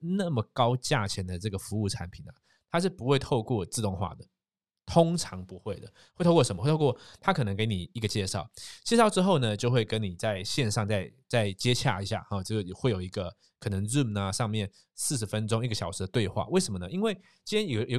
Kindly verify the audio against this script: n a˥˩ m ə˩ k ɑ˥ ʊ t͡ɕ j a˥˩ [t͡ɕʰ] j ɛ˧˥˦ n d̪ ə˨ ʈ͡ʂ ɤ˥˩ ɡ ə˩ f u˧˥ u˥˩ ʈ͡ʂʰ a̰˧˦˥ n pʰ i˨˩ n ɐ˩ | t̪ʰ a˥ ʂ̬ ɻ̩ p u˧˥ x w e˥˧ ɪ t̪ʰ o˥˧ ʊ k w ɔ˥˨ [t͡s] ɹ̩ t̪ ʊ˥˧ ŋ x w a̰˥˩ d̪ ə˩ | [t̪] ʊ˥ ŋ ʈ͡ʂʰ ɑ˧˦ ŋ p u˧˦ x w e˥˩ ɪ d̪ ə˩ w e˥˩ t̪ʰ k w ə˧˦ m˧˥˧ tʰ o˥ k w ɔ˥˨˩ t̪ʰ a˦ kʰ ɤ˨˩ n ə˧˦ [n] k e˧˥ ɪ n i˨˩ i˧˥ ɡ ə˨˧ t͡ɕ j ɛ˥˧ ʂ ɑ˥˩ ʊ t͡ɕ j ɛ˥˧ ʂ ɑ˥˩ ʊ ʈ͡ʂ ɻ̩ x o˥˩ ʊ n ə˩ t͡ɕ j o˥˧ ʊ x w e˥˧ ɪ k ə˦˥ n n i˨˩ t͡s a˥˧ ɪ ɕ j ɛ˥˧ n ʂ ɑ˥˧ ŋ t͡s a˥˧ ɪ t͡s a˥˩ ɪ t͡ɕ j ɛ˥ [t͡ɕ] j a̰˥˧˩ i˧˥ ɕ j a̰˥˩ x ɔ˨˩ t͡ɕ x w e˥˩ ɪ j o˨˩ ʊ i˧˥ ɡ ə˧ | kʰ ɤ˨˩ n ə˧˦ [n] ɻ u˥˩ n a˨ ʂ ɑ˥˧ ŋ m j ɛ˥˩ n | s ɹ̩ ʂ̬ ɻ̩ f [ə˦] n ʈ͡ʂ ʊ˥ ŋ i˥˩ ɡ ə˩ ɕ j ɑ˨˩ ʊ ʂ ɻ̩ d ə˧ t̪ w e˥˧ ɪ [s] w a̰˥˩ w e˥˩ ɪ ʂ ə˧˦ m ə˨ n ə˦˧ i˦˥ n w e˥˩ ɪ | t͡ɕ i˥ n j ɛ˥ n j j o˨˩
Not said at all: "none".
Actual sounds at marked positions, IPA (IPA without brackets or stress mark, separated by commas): t͡ɕʰ, t͡s, t̪ʰ, ŋ, t͡ɕʰ, ŋ, ə˦, x